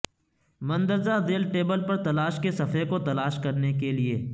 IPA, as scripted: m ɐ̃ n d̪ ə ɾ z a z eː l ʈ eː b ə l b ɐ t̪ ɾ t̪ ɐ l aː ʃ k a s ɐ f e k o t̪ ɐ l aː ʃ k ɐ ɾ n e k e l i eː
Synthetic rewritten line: m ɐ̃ n d̪ ə ɾ z a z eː l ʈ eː b ə l p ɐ ɾ t̪ ɐ l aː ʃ k e s ɐ f e k o t̪ ɐ l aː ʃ k ɐ ɾ n e k e l i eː